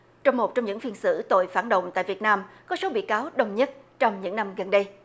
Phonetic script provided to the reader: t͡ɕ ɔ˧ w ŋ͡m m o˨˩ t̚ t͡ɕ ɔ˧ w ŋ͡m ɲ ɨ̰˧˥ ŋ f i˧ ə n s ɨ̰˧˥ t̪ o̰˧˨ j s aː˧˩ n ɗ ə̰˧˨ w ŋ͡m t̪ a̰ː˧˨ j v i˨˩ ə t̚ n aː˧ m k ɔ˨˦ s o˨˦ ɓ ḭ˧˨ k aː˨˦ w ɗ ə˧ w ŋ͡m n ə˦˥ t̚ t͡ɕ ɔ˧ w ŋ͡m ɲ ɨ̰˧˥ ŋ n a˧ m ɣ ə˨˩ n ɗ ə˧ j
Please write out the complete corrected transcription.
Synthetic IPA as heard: t͡ɕ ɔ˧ w ŋ͡m m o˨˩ t̚ t͡ɕ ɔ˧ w ŋ͡m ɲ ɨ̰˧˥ ŋ f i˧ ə n s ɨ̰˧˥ t̪ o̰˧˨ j f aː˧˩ n ɗ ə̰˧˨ w ŋ͡m t̪ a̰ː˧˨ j v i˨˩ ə t̚ n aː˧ m k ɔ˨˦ s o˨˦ ɓ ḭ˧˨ k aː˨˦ w ɗ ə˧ w ŋ͡m ɲ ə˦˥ t̚ t͡ɕ ɔ˧ w ŋ͡m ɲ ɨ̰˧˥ ŋ n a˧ m ɣ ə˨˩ n ɗ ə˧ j

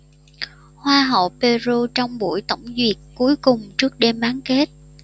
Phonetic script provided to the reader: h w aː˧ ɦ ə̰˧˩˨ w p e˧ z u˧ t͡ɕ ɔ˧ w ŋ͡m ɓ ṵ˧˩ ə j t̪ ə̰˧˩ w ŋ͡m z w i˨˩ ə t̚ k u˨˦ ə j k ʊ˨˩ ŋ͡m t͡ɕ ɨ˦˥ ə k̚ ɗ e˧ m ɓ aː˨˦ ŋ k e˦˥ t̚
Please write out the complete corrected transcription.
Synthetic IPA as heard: h w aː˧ ɦ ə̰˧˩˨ w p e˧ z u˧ t͡ɕ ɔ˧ w ŋ͡m ɓ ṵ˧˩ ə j t̪ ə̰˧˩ w ŋ͡m z w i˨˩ ə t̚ k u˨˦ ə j k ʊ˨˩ ŋ͡m t͡ɕ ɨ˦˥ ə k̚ ɗ e˧ m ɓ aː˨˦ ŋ k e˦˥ t̚

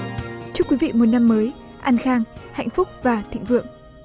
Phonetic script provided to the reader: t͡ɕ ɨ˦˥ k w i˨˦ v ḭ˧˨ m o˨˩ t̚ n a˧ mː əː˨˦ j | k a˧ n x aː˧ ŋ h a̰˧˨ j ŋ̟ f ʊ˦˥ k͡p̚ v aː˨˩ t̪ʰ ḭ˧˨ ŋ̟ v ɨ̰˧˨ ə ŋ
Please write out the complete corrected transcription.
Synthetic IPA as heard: t͡ɕ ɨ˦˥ k w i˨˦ v ḭ˧˨ m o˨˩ t̚ n a˧ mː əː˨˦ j | ʔ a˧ n x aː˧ ŋ h a̰˧˨ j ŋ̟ f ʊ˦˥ k͡p̚ v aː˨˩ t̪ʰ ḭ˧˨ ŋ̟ v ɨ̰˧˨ ə ŋ

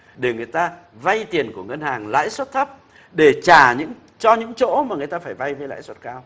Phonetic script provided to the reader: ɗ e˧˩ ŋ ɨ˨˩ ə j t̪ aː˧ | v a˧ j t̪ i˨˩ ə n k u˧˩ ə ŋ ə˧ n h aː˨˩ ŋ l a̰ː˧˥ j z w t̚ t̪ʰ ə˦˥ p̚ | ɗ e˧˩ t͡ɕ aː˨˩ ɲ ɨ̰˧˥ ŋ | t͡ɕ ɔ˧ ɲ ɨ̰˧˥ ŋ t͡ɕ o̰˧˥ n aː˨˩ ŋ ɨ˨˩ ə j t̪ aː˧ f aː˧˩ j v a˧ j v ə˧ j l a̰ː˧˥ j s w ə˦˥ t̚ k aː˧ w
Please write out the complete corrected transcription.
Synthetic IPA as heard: ɗ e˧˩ ŋ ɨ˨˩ ə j t̪ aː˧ | v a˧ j t̪ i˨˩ ə n k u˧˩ ə ŋ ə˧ n h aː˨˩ ŋ l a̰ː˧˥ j s w t̚ t̪ʰ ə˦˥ p̚ | ɗ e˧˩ t͡ɕ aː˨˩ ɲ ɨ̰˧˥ ŋ | t͡ɕ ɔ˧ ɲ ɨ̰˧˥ ŋ t͡ɕ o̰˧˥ m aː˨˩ ŋ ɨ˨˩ ə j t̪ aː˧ f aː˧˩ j v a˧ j v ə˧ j l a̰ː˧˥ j s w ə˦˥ t̚ k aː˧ w

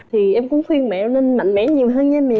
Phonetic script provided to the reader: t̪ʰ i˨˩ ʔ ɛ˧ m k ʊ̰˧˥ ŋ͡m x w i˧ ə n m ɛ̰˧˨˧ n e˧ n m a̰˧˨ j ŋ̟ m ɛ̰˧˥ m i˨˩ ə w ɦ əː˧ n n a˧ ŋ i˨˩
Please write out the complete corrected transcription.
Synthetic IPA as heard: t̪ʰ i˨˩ ʔ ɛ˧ m k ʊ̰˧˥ ŋ͡m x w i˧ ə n m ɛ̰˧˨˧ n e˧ n m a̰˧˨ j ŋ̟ m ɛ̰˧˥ ɲ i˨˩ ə w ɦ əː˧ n ɲ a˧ m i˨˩

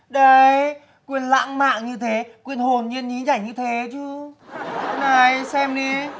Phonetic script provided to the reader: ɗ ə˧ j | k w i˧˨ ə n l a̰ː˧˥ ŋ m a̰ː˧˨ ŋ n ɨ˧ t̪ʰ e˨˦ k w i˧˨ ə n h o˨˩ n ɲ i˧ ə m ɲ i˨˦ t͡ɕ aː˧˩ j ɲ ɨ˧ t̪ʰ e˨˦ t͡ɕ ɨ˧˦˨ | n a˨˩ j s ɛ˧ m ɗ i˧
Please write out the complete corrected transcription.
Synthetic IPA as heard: ɗ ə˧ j | k w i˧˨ ə n l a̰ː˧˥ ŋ m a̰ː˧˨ ŋ ɲ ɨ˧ t̪ʰ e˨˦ k w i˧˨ ə n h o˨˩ n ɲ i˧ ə n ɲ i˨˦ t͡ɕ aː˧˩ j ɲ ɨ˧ t̪ʰ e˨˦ t͡ɕ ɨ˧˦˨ | n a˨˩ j s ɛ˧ m ɗ i˧

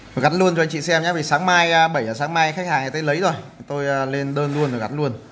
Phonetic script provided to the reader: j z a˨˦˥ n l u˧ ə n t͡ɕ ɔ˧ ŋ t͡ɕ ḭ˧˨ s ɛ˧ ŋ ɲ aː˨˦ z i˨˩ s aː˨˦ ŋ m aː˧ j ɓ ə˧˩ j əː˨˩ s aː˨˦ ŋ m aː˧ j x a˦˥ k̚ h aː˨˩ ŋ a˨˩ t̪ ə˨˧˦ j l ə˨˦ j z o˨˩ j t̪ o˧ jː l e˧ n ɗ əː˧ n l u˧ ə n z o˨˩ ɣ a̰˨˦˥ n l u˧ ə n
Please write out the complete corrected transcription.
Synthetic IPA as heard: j ɣ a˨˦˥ n l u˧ ə n t͡ɕ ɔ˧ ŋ t͡ɕ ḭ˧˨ s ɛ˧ m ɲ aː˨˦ v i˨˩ s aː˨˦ ŋ m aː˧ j ɓ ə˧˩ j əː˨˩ s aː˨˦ ŋ m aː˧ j x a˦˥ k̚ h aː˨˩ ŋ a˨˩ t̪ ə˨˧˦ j l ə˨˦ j z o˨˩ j t̪ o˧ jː l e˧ n ɗ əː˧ n l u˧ ə n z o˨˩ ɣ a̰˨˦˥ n l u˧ ə n

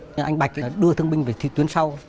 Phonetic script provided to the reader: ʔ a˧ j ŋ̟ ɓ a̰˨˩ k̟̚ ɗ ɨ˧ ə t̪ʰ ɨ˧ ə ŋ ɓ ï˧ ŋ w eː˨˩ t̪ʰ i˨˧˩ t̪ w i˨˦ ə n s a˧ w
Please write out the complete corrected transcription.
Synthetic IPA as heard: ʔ a˧ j ŋ̟ ɓ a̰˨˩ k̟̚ ɗ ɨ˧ ə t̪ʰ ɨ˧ ə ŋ ɓ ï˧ ŋ v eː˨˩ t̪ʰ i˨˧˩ t̪ w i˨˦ ə n s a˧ w

